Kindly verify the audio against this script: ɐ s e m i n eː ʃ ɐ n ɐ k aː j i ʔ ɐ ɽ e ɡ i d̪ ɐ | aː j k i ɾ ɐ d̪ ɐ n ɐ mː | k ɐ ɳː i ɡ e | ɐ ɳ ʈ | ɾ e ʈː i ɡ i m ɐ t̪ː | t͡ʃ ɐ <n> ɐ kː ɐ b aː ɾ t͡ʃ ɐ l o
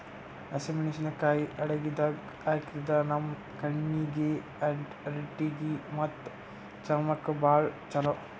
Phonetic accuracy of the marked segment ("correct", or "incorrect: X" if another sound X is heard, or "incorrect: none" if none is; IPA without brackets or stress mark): incorrect: m